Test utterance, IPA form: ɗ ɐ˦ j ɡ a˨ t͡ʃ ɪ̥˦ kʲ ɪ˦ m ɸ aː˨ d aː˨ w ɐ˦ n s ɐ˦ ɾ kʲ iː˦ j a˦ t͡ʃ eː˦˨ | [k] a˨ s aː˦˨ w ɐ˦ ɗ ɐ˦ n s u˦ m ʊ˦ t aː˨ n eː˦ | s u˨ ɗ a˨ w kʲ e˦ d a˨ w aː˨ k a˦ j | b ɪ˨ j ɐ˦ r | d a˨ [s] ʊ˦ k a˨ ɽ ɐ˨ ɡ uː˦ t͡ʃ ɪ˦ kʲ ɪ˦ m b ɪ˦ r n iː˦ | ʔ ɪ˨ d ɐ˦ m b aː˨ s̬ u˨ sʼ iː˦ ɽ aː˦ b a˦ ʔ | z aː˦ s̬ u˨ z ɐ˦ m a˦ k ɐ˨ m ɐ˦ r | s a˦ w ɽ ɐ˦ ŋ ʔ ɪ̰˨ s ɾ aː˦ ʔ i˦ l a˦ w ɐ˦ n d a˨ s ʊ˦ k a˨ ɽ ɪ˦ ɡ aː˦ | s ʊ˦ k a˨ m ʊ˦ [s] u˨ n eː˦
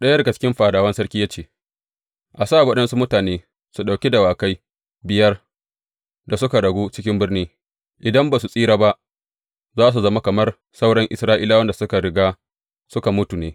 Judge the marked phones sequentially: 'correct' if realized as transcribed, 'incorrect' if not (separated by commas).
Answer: incorrect, correct, incorrect